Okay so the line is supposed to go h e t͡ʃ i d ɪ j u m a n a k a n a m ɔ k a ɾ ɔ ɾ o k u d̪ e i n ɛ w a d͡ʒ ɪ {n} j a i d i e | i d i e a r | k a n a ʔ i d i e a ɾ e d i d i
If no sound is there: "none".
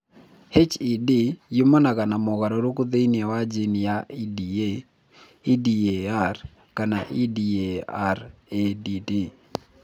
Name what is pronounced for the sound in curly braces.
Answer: n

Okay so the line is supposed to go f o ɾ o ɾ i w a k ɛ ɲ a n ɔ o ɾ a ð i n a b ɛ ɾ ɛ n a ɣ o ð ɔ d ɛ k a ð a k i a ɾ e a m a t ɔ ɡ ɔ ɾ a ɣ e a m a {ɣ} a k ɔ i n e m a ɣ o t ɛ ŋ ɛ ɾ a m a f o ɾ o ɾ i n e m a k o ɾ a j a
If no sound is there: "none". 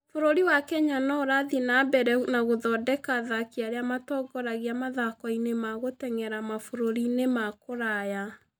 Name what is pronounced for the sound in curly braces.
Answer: ð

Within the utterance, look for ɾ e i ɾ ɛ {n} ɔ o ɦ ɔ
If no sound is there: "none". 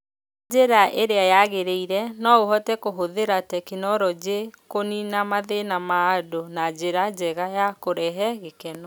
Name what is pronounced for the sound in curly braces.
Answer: n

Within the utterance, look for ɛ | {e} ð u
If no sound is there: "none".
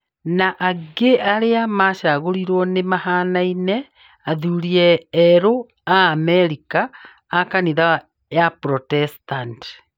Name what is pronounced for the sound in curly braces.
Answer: a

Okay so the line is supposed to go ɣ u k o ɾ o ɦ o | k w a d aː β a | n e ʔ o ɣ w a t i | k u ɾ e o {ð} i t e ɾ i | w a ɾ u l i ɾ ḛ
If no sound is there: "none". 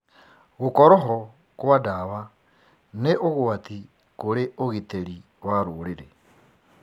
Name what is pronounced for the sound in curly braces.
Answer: ɣ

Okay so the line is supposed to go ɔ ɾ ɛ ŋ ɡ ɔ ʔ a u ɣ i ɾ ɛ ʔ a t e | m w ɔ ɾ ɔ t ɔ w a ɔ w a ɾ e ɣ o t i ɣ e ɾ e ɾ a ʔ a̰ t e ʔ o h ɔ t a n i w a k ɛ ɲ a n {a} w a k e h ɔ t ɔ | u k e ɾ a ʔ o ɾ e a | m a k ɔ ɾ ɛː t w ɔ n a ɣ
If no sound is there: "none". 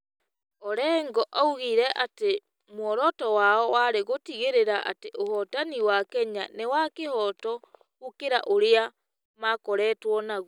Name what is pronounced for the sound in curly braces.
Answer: e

